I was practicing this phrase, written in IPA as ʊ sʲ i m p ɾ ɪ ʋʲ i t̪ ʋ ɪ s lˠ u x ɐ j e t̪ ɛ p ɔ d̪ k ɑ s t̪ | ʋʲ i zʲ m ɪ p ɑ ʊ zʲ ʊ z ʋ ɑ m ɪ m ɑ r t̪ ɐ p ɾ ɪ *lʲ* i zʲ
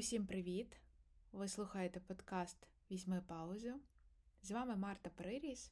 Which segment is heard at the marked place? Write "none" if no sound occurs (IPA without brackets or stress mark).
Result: ɾʲ